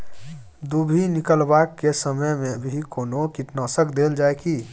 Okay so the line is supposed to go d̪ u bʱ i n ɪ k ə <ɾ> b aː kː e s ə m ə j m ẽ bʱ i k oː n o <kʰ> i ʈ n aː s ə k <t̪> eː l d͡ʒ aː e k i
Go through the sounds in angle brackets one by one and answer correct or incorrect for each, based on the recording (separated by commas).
incorrect, incorrect, incorrect